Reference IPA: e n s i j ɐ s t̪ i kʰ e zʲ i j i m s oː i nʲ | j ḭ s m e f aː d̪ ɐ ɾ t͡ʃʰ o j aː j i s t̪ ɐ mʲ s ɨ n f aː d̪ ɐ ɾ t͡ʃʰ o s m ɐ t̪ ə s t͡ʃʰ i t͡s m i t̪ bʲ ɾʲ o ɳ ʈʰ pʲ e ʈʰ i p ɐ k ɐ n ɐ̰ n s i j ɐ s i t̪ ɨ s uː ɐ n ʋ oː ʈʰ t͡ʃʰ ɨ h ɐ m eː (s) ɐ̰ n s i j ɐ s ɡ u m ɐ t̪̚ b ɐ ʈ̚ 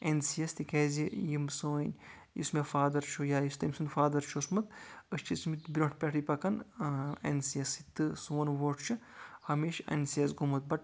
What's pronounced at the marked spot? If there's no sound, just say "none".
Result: ʃ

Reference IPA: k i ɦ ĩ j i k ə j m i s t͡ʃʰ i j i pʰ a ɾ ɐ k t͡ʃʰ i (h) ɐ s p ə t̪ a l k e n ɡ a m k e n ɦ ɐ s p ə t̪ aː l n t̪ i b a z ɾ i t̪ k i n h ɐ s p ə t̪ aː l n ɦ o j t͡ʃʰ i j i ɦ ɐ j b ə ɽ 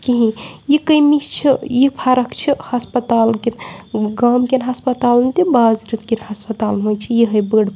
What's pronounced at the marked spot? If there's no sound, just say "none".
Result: h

